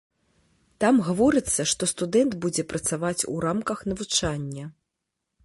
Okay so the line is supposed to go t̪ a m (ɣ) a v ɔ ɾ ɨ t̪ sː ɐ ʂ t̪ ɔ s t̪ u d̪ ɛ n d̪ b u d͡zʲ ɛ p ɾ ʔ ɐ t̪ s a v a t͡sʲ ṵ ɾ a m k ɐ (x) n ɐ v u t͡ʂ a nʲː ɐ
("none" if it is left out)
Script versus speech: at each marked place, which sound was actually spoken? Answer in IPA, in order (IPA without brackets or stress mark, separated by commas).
ɣ, x